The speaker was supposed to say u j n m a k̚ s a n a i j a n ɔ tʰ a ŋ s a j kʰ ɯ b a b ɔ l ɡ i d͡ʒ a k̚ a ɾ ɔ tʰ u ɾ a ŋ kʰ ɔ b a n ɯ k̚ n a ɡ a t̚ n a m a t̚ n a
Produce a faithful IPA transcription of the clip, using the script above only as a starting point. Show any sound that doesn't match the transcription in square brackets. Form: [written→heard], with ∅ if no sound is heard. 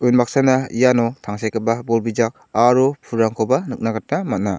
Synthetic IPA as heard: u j n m a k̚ s a n a i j a n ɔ tʰ a ŋ s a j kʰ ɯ b a b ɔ l [ɡ→b] i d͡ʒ a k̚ a ɾ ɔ [tʰ→pʰ] u ɾ a ŋ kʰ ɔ b a n ɯ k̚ n a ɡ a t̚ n a m a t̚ n a